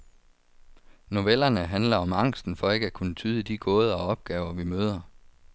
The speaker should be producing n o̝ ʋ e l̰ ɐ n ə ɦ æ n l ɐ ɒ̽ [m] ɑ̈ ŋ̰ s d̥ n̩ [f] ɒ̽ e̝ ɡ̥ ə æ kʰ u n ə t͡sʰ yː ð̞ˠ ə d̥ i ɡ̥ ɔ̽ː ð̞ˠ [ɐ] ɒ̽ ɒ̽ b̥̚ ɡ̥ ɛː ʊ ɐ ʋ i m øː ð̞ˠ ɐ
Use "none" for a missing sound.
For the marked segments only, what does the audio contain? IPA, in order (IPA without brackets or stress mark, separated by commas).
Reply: m, f, ɐ